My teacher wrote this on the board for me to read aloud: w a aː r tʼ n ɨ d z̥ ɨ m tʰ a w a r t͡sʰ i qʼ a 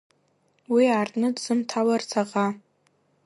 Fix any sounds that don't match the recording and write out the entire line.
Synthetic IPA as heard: w i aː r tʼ n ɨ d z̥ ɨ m tʰ a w a r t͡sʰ a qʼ a